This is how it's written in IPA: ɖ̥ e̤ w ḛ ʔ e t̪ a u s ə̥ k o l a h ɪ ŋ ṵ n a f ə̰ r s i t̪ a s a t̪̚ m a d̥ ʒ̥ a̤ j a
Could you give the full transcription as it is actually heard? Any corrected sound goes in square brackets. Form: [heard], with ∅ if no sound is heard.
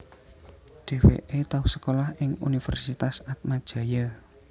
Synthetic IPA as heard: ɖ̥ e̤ w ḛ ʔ e t̪ a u s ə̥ k o l a h ɪ ŋ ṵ n [i] f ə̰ r s i t̪ a s a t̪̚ m a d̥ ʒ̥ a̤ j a

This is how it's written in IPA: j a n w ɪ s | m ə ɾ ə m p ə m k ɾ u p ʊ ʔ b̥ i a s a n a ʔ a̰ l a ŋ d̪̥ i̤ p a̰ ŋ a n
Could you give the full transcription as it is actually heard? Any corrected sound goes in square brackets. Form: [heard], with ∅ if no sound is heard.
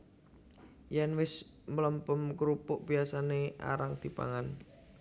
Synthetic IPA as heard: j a n w ɪ s | m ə [l] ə m p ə m k ɾ u p ʊ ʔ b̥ i a s a n [e] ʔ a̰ [ɾ] a ŋ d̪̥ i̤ p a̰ ŋ a n

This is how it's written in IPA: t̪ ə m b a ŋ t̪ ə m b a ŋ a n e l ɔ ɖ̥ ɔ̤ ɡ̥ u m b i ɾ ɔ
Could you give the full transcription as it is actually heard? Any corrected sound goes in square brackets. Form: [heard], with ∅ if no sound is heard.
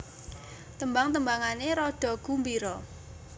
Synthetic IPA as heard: t̪ ə m b a ŋ t̪ ə m b a ŋ a n e [ɾ] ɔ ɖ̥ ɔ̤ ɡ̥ u m b i ɾ ɔ

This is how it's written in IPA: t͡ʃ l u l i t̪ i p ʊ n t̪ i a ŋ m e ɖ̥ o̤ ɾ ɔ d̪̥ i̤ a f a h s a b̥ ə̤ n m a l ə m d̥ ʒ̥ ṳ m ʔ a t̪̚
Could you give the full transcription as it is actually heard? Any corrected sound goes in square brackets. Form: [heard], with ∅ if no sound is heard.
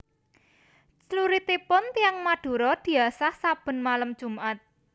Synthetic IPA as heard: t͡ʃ l u [ɾ] i t̪ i p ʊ n t̪ i a ŋ m [a] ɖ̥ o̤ ɾ ɔ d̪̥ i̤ a [s] a h s a b̥ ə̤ n m a l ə m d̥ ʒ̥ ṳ m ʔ a t̪̚

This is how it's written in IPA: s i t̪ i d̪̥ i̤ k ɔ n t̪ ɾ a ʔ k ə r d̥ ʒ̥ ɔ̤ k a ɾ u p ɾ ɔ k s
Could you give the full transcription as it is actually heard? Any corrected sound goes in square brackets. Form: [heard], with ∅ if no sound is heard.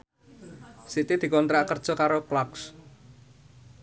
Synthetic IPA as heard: s i t̪ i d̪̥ i̤ k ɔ n t̪ ɾ a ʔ k ə r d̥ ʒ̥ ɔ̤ k a ɾ [o] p [l] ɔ k s

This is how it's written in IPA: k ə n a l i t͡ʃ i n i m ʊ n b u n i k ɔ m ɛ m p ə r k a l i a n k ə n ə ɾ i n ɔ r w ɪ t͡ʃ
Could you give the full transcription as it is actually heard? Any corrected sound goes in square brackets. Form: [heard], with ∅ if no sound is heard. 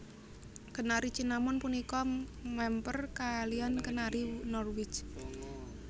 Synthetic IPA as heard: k ə n a [ɾ] i t͡ʃ i n [a] m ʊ n [p] u n i k ɔ m ɛ m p ə r k a l i a n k ə n [a] ɾ i n ɔ r w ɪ t͡ʃ

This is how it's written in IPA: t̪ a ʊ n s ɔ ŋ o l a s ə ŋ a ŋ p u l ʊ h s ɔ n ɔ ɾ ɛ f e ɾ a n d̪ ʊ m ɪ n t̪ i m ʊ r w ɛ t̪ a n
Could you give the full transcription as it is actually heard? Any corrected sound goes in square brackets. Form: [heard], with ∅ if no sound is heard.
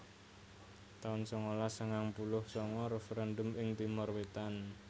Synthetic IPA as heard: t̪ a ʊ n s ɔ ŋ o l a s ə ŋ a ŋ p u l ʊ h s ɔ [ŋ] ɔ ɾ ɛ f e ɾ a n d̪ ʊ m ɪ [ŋ] t̪ i m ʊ r w [e] t̪ a n

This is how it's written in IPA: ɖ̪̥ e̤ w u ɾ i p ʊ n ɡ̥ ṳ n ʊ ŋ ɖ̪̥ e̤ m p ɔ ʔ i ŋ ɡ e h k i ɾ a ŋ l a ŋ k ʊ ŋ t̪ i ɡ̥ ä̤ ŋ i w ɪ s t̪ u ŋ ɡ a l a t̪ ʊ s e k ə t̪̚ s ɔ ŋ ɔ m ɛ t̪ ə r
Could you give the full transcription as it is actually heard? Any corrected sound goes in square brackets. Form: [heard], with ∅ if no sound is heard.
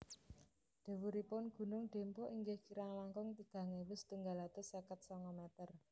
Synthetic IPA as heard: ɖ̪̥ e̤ w u ɾ i p ʊ n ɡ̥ ṳ n ʊ ŋ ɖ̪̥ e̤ m p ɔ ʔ i ŋ ɡ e h k i ɾ a ŋ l a ŋ k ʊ ŋ t̪ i ɡ̥ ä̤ ŋ [e] w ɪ s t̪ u ŋ ɡ a l a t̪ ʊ s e k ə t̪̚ s ɔ ŋ ɔ m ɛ t̪ ə r

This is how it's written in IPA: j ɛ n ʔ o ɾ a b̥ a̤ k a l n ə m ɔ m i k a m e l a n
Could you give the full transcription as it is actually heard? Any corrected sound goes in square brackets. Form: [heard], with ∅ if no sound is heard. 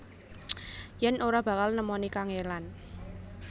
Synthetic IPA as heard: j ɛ n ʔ o ɾ a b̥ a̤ k a l n ə m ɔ [n] i k a [ŋ] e l a n

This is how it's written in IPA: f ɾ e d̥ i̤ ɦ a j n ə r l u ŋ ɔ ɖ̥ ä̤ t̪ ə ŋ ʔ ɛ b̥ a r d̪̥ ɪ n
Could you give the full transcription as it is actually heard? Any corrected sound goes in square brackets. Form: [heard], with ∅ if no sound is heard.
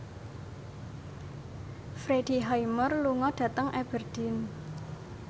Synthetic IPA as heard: f ɾ e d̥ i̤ ɦ a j [m] ə r l u ŋ ɔ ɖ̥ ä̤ t̪ ə ŋ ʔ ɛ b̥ [ə] r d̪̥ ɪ n

